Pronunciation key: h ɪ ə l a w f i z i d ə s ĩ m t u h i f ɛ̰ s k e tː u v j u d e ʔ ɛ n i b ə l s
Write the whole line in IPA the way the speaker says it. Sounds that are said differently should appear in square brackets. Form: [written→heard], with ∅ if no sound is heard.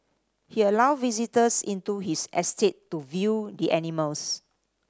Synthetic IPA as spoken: h [ɪ→i] ə l a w [f→v] i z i [d→t] ə s ĩ [m→n] t u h i [f→s] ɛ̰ s [k→t] e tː u v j u d [e→i] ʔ ɛ n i [b→m] ə l s